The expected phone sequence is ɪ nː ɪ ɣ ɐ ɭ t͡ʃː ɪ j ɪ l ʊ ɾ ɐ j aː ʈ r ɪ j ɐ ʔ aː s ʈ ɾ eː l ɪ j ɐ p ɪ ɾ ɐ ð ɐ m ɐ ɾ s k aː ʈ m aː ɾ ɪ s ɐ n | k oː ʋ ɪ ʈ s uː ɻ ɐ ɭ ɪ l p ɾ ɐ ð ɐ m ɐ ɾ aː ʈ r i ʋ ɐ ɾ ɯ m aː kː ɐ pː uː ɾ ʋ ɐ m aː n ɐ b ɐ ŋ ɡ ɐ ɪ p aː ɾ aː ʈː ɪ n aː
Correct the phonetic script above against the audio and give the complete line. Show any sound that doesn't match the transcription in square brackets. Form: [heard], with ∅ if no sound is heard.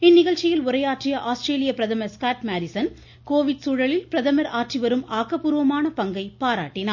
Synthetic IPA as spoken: ɪ nː ɪ ɣ ɐ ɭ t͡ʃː ɪ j ɪ l ʊ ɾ ɐ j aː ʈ r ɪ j ɐ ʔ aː s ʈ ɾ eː l ɪ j ɐ p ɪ ɾ ɐ ð ɐ m ɐ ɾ s k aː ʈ m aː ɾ ɪ s ɐ n | k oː ʋ ɪ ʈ s uː ɻ ɐ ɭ ɪ l p ɾ ɐ ð ɐ m ɐ ɾ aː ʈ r i ʋ ɐ ɾ ɯ m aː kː ɐ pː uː ɾ ʋ ɐ m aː n ɐ [p] ɐ ŋ ɡ ɐ ɪ p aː ɾ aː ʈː ɪ n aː